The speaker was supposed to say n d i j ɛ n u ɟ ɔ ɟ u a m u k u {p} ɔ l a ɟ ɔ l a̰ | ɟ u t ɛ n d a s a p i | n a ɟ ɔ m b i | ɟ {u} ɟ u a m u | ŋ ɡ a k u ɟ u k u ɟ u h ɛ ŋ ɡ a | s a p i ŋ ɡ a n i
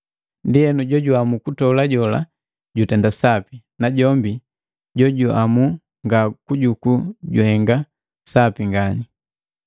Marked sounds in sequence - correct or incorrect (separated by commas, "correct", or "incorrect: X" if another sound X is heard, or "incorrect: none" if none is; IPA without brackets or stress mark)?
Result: incorrect: t, incorrect: ɔ